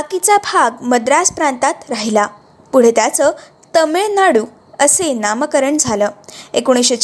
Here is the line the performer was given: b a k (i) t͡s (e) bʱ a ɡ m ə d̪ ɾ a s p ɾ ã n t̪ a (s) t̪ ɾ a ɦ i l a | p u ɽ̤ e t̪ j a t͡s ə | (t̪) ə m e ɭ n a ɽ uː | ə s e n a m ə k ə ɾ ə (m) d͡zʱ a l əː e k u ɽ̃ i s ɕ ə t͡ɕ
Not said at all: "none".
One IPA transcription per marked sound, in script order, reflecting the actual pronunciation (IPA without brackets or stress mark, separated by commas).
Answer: i, a, none, t̪, ɳ